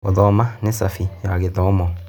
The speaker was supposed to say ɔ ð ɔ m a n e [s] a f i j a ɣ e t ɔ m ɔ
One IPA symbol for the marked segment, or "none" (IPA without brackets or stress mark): s